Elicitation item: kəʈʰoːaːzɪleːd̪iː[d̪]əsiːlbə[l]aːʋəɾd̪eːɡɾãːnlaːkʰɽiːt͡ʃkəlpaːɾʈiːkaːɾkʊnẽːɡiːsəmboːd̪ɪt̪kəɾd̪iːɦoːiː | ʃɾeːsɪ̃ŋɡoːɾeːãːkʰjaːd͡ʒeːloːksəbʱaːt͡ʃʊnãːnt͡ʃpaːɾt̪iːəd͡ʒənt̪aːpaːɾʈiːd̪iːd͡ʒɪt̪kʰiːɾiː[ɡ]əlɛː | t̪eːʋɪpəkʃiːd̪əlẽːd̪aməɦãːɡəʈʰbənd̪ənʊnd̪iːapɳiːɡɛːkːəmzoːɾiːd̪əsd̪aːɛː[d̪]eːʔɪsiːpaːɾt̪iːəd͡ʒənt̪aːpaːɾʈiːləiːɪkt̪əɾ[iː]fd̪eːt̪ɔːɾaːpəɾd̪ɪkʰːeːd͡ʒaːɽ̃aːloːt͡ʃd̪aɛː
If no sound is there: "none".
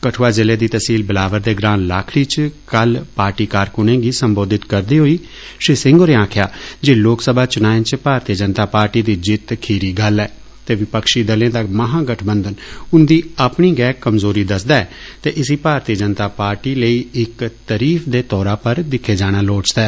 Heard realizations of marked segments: t̪, l, ɡ, t̪, iː

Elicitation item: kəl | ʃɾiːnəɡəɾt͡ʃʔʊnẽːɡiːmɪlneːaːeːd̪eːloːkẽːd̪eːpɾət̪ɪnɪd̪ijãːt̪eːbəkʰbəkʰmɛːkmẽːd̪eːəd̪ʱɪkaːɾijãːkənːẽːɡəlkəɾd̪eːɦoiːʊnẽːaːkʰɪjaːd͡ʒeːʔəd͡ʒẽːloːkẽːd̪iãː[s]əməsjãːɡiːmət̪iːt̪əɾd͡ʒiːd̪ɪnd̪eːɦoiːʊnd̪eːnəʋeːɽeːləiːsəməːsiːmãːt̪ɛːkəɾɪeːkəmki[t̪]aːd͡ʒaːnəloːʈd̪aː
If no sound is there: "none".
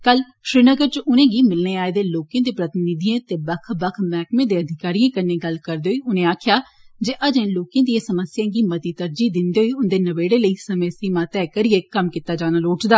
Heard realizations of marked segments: s, t̪

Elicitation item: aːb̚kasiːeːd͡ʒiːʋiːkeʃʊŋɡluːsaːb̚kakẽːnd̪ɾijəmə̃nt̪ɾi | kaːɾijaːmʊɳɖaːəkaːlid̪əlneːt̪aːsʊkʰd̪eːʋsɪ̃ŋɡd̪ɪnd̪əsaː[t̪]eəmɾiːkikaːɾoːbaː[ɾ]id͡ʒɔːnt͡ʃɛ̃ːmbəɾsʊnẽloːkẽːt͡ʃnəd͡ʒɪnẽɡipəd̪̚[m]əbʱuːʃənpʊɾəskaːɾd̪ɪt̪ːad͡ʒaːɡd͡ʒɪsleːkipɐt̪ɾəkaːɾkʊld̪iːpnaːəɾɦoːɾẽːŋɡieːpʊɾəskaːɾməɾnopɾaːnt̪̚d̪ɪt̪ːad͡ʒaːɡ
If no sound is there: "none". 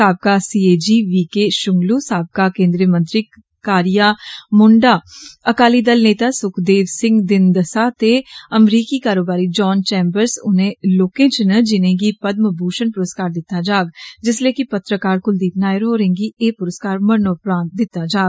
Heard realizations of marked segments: t̪, ɾ, m

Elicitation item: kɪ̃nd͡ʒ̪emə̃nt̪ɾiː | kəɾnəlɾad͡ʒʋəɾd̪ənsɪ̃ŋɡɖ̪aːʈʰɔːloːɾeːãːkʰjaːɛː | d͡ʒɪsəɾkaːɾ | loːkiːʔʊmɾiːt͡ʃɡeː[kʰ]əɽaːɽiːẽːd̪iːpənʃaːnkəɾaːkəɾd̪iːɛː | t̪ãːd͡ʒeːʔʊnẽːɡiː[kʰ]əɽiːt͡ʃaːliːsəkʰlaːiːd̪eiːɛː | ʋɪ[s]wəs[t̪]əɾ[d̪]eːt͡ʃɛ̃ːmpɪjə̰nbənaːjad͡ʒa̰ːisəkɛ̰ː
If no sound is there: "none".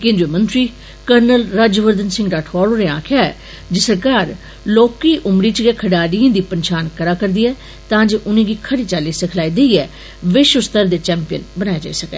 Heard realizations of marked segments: kʰ, kʰ, ʃ, t̪, d̪

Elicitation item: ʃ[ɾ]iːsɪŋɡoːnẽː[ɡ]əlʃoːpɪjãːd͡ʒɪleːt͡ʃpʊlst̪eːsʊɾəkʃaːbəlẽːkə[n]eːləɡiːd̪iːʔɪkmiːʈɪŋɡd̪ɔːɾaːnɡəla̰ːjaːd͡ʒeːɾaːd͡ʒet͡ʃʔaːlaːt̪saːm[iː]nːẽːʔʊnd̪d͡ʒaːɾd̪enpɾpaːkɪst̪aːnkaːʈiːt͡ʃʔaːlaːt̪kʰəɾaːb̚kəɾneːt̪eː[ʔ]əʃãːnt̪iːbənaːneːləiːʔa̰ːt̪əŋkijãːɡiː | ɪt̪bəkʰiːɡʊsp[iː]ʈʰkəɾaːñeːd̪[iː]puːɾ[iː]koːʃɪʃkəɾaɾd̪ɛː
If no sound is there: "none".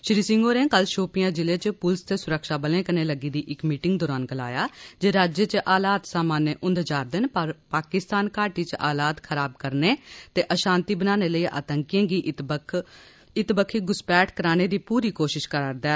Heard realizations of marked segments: ɾ, k, n, aː, ʔ, ɛː, iː, iː

